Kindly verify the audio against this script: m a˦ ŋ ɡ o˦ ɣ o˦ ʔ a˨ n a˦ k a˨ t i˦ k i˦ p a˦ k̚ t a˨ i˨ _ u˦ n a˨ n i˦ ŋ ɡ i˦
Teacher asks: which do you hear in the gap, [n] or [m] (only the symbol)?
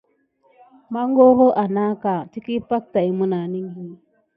m